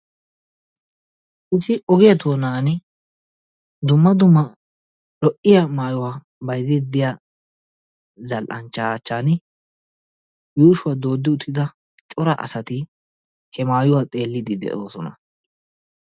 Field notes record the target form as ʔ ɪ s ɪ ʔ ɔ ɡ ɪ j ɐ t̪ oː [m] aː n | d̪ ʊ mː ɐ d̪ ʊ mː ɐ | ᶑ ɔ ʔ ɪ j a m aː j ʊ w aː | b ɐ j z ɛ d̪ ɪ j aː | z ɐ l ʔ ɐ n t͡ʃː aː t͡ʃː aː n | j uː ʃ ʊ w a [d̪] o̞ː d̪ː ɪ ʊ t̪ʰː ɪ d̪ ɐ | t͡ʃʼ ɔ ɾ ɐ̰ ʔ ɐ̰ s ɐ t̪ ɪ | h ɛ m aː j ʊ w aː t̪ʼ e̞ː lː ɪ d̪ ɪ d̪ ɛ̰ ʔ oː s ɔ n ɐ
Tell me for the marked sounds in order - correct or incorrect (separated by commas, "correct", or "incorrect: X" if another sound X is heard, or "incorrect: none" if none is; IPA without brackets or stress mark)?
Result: incorrect: n, correct